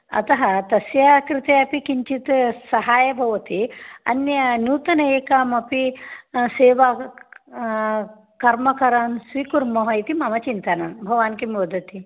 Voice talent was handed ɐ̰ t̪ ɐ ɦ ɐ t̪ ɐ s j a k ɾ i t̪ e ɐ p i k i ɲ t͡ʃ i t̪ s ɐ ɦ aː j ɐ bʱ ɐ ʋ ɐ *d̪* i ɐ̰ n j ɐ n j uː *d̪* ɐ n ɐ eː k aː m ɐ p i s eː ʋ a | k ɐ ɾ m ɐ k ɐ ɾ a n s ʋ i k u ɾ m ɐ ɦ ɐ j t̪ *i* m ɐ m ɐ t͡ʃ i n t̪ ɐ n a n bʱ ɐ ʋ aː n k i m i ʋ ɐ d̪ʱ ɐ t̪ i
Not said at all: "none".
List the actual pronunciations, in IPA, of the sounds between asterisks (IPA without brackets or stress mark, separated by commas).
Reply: t̪, t̪, i